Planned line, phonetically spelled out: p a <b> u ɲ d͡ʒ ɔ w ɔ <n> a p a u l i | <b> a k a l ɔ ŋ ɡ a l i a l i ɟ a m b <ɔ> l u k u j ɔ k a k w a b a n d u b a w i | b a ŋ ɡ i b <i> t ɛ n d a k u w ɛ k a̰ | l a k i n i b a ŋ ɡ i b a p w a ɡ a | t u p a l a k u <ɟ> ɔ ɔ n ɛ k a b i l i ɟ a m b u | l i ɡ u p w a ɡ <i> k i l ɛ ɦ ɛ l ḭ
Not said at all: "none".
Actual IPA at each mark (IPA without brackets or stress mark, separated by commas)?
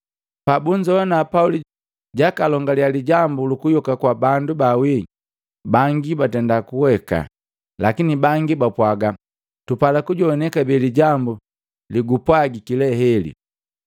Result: b, n, ɟ, u, a, ɟ, i